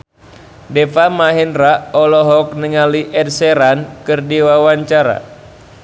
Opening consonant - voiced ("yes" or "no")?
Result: yes